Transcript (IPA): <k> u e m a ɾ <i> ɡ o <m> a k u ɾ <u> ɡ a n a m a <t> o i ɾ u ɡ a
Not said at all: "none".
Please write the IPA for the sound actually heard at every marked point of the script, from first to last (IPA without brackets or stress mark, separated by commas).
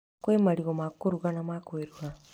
k, i, m, u, k